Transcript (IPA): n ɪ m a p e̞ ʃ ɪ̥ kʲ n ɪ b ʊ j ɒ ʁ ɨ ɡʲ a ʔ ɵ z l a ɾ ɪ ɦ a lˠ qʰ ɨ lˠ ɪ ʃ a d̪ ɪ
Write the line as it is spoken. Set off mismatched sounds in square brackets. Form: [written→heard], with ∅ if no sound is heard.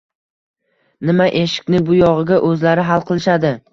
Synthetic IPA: n ɪ m a [p→ʔ] e̞ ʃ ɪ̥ kʲ n ɪ b ʊ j ɒ ʁ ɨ ɡʲ a ʔ ɵ z l a ɾ ɪ ɦ a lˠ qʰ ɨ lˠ ɪ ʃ a d̪ ɪ